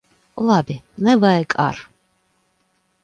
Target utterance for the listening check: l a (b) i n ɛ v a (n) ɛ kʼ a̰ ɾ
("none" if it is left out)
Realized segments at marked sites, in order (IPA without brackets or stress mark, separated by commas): b, none